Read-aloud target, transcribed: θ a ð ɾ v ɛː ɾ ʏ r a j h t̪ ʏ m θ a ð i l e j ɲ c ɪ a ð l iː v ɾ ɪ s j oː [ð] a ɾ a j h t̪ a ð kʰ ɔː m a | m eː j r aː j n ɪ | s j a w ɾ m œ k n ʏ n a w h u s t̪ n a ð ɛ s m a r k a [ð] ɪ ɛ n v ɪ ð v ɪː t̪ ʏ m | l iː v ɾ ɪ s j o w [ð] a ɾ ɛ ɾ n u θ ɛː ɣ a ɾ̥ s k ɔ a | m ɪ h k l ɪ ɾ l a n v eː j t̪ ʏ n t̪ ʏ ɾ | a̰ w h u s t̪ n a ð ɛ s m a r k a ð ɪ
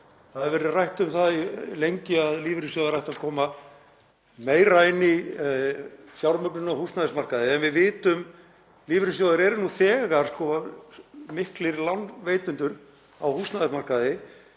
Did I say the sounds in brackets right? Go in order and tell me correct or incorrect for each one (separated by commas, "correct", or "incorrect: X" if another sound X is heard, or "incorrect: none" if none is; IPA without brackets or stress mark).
correct, correct, correct